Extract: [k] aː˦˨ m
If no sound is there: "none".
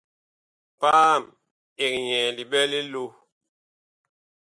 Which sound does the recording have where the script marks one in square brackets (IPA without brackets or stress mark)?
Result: p